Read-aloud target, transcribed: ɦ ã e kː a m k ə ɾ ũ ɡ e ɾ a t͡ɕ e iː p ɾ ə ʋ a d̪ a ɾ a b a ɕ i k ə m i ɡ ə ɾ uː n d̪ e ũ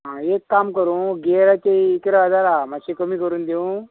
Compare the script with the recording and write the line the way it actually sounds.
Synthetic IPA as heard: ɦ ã e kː a m k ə ɾ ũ ɡ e ɾ a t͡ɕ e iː k ɾ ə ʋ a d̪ a ɾ a m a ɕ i k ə m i k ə ɾ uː n d̪ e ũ